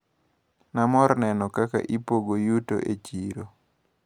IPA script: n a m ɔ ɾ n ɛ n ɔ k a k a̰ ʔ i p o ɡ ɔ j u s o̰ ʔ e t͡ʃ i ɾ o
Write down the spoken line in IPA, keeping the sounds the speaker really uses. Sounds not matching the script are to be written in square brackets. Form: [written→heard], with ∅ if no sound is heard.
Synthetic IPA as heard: n a m ɔ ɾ n ɛ n ɔ k a k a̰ ʔ i p o ɡ [ɔ→o] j u [s→t] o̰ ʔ e t͡ʃ i ɾ o